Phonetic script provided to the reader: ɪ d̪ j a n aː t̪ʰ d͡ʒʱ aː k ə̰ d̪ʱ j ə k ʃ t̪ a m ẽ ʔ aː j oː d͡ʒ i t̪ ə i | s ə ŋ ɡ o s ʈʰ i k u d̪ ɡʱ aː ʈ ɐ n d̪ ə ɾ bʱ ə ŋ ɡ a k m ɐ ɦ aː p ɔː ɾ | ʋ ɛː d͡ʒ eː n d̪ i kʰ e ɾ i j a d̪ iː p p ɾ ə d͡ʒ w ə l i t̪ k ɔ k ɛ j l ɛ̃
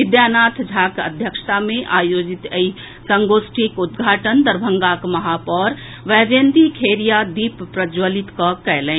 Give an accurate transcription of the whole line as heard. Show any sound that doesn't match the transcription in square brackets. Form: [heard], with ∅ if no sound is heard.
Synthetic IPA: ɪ d̪ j a n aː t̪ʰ d͡ʒʱ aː k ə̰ d̪ʱ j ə k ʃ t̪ a m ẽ ʔ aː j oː d͡ʒ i t̪ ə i | s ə ŋ ɡ o s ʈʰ i k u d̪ ɡʱ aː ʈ [ə] n d̪ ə ɾ bʱ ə ŋ ɡ a k m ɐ ɦ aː p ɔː ɾ | ʋ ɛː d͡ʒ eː n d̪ i kʰ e ɾ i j a d̪ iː p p ɾ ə d͡ʒ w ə l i t̪ k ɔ k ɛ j l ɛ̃